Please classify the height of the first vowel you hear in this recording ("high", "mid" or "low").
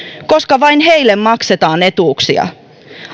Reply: mid